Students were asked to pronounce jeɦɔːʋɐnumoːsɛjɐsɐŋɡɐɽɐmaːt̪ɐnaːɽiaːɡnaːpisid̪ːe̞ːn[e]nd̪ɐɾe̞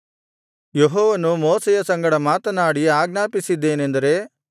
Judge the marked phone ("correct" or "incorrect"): correct